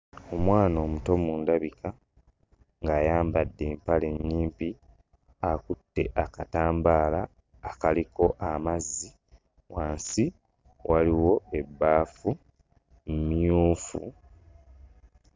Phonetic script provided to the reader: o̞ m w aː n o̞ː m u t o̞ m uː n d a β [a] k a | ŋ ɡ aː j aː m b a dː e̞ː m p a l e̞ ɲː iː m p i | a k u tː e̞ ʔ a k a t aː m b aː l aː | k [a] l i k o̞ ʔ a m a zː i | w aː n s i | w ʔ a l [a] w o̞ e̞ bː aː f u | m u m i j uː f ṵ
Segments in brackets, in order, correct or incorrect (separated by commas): incorrect, correct, incorrect